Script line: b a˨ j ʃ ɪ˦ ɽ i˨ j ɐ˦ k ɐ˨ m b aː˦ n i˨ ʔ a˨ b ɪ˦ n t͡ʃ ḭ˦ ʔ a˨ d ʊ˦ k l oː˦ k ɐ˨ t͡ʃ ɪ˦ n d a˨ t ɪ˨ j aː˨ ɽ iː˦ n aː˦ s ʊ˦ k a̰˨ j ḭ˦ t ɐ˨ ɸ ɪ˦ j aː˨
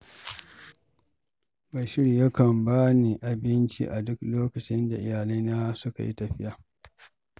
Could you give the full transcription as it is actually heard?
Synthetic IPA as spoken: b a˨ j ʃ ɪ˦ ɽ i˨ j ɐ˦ k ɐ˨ m b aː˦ n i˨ ʔ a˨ b ɪ˦ n t͡ʃ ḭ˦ ʔ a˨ d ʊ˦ k l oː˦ k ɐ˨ t͡ʃ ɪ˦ n d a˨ ʔ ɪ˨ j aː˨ l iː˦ n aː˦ s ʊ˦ k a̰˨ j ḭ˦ t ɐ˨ ɸ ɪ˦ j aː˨

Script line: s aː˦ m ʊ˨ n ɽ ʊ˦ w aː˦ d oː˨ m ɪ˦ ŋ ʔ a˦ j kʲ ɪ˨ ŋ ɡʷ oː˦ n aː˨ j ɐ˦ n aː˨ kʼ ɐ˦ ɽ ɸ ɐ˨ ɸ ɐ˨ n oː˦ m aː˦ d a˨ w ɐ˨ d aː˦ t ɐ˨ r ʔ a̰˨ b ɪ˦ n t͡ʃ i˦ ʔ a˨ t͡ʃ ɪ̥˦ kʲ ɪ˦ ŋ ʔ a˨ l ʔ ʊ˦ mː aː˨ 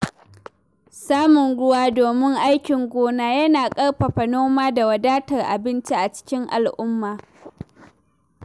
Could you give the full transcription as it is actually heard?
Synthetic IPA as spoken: s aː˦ m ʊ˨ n ɽ ʊ˦ w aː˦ d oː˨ m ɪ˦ ŋ ʔ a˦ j kʲ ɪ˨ ŋ ɡʷ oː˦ n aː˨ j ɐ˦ n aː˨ kʼ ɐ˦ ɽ ɸ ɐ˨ ɸ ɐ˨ n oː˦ m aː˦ d a˨ w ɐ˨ d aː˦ t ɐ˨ r ʔ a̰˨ b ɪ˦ n t͡ʃ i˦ ʔ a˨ t͡ʃ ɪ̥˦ kʲ ɪ˦ ŋ ʔ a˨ l ʔ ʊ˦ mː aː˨

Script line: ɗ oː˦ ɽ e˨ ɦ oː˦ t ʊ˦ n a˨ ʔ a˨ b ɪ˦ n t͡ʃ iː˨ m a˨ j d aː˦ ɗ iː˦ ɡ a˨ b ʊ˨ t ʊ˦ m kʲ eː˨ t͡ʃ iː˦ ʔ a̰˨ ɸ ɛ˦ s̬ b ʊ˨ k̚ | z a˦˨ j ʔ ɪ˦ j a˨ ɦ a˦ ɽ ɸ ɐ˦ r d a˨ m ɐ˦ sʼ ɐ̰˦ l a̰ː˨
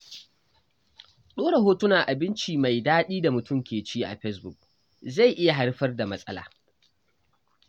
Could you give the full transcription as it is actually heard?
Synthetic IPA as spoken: ɗ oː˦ ɽ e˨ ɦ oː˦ t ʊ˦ n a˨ ʔ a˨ b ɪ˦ n t͡ʃ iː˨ m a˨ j d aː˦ ɗ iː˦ d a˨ m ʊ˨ t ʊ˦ m kʲ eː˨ t͡ʃ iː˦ ʔ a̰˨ ɸ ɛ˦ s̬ b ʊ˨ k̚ | z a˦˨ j ʔ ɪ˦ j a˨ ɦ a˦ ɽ ɸ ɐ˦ r d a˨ m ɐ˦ sʼ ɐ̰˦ l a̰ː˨

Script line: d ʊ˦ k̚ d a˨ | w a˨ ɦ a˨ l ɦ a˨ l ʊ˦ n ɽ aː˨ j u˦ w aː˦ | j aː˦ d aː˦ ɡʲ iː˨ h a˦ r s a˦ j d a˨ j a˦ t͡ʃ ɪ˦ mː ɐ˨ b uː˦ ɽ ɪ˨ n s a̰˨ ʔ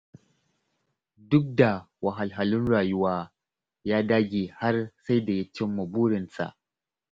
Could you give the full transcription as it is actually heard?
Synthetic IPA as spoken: d ʊ˦ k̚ d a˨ | w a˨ ɦ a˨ l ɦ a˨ l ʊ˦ n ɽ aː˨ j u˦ w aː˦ | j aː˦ d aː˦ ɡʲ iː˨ h a˦ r s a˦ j d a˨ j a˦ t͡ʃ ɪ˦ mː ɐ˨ b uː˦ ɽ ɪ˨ n s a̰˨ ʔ

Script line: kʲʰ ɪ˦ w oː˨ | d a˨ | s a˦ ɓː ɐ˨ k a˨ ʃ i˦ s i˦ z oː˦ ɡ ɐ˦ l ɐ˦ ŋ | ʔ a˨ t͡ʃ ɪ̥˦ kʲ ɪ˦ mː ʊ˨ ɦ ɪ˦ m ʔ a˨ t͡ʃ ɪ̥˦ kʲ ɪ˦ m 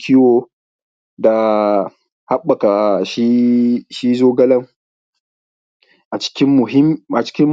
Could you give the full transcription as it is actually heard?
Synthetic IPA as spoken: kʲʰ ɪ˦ w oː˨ | d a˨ | h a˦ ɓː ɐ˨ k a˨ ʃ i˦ ʃ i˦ z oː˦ ɡ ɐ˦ l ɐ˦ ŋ | ʔ a˨ t͡ʃ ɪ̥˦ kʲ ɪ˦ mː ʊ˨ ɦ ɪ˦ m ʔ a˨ t͡ʃ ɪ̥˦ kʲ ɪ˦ m

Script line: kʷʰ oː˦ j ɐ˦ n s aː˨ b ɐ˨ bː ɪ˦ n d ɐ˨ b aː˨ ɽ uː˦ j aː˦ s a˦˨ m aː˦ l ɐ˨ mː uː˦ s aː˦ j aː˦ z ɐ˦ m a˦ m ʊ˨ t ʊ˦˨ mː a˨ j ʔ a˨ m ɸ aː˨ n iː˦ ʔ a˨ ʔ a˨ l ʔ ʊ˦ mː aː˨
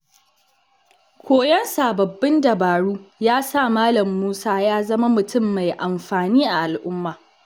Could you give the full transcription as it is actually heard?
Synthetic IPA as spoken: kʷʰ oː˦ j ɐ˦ n s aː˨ b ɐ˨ bː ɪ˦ n d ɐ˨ b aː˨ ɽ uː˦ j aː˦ s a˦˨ m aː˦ l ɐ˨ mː uː˦ s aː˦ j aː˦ z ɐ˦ m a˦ m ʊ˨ t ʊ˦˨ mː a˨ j ʔ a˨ m ɸ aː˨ n iː˦ ʔ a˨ ʔ a˨ l ʔ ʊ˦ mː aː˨

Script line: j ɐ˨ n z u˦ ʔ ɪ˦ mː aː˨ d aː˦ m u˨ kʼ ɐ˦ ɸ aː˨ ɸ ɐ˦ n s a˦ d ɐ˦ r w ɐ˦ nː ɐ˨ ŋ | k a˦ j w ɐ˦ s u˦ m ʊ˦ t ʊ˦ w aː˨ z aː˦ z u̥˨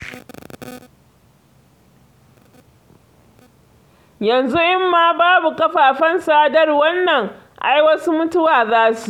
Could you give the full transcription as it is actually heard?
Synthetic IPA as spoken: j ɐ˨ n z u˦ ʔ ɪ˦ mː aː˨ b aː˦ b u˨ k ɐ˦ ɸ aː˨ ɸ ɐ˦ n s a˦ d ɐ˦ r w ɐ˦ nː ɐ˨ ŋ | ʔ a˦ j w ɐ˦ s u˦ m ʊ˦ t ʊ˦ w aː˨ z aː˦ s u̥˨

